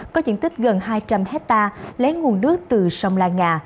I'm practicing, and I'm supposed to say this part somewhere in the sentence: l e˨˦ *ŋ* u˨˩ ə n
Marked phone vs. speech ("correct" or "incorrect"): correct